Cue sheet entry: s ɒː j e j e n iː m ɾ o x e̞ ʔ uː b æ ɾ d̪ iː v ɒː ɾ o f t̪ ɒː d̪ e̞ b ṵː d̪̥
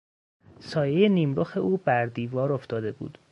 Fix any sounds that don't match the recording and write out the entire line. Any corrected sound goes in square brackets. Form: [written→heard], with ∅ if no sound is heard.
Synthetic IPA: s ɒː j e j e n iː m ɾ o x e̞ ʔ uː b æ ɾ d̪ iː v ɒː ɾ o f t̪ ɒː d̪ e̞ b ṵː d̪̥